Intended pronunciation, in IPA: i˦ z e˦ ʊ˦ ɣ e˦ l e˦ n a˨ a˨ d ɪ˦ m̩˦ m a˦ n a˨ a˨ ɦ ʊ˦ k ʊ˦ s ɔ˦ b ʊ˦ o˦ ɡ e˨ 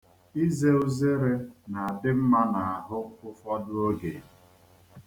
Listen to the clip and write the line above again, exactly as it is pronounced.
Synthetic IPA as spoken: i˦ z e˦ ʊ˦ z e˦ ɾ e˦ n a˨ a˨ d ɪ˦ m̩˦ m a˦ n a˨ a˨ ɦ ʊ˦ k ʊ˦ f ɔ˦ d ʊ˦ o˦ ɡ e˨